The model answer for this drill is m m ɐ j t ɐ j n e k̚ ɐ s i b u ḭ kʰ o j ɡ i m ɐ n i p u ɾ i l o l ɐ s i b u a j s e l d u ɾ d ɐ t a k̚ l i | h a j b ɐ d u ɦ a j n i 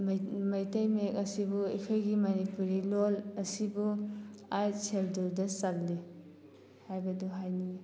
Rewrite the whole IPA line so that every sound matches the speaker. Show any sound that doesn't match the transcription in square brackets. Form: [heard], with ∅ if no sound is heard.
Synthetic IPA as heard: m m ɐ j t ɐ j [m] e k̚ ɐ s i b u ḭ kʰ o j ɡ i m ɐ n i p u ɾ i l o l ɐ s i b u a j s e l d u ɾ d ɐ [s] a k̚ l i | h a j b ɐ d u ɦ a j n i